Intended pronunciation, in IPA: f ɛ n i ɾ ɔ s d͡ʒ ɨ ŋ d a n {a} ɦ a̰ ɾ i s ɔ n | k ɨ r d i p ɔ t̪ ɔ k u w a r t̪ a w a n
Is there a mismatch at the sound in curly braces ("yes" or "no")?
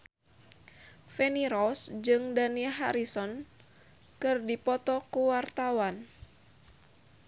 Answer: yes